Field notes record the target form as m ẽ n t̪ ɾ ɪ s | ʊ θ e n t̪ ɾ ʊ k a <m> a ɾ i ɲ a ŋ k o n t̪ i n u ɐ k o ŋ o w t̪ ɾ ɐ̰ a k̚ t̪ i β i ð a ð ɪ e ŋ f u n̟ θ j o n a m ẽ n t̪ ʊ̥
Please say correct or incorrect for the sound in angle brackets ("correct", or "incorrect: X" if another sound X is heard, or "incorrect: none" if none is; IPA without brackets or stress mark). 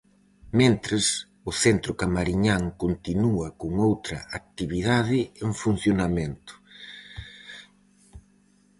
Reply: correct